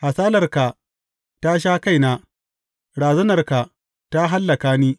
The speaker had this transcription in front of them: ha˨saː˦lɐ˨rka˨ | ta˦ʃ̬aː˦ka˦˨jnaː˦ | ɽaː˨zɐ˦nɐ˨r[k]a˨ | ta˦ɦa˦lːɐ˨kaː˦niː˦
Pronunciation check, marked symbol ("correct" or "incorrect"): correct